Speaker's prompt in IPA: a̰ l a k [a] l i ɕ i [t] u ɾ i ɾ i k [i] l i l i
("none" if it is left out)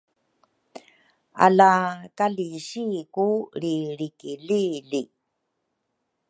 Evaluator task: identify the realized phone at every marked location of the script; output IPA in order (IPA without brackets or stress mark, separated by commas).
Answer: a, k, i